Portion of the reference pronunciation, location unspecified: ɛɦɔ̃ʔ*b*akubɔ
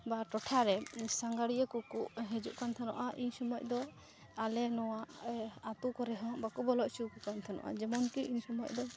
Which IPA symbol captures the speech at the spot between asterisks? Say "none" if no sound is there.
b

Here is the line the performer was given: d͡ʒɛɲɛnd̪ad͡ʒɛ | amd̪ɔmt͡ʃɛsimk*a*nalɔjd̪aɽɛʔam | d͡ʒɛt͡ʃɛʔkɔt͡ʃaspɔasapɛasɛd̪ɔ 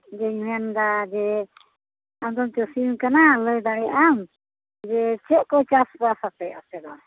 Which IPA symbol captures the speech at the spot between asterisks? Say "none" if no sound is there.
a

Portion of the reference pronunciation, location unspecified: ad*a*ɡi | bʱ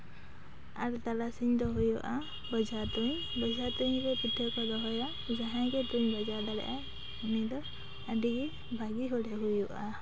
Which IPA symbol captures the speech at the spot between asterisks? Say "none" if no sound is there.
i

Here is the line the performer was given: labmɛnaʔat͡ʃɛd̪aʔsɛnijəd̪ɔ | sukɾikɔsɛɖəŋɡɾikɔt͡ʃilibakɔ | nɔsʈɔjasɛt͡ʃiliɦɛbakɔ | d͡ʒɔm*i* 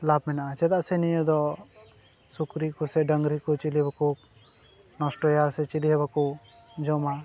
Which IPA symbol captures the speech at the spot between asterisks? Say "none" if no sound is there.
a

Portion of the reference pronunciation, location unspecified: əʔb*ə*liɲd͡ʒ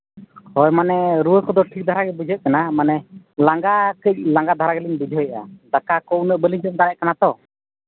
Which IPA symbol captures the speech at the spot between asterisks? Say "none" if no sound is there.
ə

